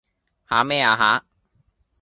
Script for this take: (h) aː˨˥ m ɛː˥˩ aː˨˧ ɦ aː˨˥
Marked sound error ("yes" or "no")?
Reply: no